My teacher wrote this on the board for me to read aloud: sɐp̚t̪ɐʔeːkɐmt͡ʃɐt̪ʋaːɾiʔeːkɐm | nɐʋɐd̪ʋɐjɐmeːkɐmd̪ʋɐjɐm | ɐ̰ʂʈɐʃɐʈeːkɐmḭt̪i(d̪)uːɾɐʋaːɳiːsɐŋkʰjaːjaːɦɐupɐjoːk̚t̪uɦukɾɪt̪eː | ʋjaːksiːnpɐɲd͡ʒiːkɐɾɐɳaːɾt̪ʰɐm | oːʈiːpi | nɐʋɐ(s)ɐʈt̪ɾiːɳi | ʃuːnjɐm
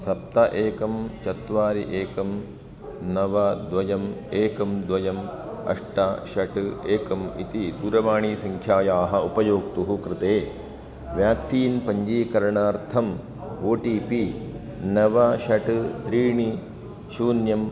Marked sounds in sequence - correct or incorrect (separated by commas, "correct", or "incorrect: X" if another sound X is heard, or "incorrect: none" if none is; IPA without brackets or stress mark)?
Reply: correct, incorrect: ʃ